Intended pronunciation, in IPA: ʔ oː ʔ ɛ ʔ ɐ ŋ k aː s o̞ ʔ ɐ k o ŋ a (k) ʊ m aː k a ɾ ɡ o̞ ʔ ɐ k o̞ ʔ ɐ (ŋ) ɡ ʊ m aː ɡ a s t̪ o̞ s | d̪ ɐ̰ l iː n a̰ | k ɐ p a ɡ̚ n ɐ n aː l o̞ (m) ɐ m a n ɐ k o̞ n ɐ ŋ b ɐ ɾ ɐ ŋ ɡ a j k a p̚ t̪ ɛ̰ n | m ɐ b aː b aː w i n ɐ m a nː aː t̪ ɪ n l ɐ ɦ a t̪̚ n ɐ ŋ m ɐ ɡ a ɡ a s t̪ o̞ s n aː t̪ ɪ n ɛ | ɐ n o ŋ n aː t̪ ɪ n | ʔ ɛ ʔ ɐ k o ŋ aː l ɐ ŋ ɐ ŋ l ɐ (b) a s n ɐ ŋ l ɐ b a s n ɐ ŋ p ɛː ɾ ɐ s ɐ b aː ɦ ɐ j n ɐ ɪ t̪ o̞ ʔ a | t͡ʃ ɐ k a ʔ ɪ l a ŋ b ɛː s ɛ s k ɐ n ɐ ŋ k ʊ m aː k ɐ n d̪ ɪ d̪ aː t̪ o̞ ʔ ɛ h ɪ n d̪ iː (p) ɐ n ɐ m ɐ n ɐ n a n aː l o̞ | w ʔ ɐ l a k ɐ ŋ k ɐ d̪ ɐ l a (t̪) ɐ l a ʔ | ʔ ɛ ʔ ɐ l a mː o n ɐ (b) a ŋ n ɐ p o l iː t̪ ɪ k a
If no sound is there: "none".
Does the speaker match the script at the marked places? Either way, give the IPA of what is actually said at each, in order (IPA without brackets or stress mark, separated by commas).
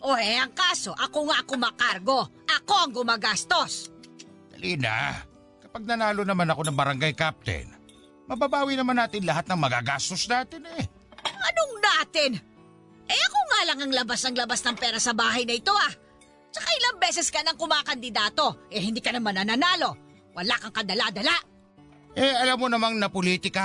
k, ŋ, n, b, k, d̪, m